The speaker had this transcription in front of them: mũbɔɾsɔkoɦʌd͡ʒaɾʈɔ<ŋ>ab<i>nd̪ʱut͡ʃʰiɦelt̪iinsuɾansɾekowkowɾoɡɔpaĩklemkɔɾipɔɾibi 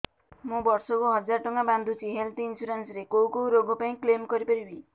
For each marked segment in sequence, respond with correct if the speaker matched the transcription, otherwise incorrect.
correct, incorrect

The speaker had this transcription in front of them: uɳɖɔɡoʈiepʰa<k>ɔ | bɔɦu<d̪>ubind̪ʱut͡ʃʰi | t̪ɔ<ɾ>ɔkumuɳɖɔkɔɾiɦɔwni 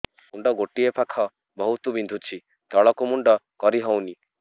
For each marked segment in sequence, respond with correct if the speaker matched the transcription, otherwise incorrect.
incorrect, incorrect, incorrect

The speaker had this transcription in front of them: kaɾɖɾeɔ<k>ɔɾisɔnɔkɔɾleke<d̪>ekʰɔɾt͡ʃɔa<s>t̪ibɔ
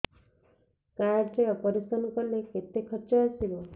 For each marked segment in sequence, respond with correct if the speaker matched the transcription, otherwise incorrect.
incorrect, incorrect, correct

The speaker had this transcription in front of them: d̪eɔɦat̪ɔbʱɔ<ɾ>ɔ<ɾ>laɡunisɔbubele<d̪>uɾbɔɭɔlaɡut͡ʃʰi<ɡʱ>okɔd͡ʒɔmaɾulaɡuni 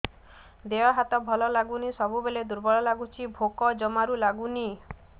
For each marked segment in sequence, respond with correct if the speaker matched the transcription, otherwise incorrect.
incorrect, incorrect, correct, incorrect

